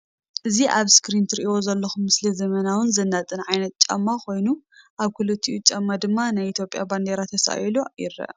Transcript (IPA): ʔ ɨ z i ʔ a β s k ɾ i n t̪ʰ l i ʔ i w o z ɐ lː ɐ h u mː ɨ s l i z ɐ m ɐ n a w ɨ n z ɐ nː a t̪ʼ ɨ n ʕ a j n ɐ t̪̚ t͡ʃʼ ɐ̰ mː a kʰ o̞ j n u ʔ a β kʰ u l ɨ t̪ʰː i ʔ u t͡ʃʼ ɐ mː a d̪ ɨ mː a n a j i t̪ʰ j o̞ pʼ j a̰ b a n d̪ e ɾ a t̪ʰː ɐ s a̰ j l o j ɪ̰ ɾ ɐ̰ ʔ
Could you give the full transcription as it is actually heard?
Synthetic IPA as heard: ʔ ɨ z i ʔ a β s k ɾ i n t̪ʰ ɾ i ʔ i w o z ɐ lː ɐ x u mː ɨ s l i z ɐ m ɐ n a w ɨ n z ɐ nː a t̪ʼ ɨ n ʕ a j n ɐ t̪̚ t͡ʃʼ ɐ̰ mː a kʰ o̞ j n u ʔ a β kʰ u l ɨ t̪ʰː i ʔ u t͡ʃʼ ɐ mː a d̪ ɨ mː a n a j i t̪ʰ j o̞ pʼ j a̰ b a n d̪ e ɾ a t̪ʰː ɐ s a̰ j l o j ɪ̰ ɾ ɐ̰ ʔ